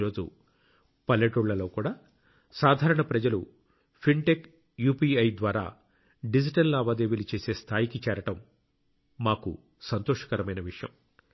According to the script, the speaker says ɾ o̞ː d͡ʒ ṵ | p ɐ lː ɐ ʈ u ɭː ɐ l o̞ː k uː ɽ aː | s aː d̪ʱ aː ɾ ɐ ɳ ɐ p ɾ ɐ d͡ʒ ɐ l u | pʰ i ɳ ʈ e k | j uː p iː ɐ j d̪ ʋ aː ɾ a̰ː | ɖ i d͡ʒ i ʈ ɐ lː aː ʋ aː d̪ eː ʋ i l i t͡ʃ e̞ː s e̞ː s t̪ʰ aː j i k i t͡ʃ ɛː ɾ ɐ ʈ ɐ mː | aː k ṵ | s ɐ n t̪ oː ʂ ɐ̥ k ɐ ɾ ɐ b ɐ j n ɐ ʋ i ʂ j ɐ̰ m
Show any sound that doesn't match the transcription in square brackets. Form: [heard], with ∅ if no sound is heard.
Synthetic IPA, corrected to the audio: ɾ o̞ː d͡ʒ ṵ | p ɐ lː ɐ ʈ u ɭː ɐ l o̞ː k uː ɽ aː | s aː d̪ʱ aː ɾ ɐ ɳ ɐ p ɾ ɐ d͡ʒ ɐ l u | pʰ i ɳ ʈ e k | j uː p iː ɐ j d̪ ʋ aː ɾ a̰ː | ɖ i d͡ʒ i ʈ ɐ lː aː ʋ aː d̪ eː ʋ i l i t͡ʃ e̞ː s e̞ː s t̪ʰ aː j i k i t͡ʃ ɛː ɾ ɐ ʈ ɐ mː | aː k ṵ | s ɐ n t̪ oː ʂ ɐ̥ k ɐ ɾ ɐ [m] ɐ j n ɐ ʋ i ʂ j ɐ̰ m